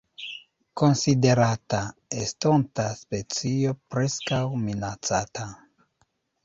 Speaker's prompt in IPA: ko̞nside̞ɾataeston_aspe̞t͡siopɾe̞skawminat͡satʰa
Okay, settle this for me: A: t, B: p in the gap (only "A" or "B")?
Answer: A